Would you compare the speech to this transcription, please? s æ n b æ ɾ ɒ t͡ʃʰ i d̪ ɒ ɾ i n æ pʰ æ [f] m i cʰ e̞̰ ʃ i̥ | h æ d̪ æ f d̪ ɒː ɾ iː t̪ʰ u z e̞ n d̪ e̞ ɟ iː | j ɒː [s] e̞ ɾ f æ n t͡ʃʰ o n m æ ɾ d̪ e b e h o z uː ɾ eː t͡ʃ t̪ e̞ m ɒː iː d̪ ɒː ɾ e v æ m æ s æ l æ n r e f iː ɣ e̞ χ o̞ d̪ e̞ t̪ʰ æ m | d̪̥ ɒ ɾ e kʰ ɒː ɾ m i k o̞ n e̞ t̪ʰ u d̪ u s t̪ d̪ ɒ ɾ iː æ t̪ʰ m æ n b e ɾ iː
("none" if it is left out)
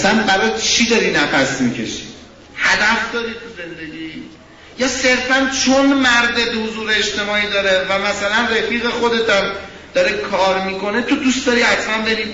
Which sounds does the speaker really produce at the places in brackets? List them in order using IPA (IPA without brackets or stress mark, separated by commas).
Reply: s, s